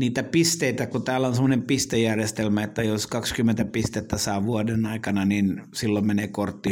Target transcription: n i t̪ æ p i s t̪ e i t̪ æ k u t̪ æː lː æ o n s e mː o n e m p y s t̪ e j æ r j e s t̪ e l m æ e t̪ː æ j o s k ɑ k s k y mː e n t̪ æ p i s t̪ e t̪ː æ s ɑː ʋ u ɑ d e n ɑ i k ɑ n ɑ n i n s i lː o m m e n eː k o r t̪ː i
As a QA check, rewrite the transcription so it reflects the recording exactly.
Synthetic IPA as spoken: n iː t̪ æ p i s t̪ e i t̪ æ k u t̪ æː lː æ o n s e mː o n e m p i s t̪ e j æ r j e s t̪ e l m æ e t̪ː æ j o s k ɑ k s k y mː e n t̪ æ p i s t̪ e t̪ː æ s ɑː ʋ u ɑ d e n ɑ i k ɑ n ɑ n i n s i lː o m m e n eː k o r t̪ː i